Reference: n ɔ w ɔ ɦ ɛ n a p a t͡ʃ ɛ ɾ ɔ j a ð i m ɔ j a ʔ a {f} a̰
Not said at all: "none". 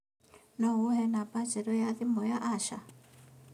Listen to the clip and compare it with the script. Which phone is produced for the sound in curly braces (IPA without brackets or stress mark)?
ʃ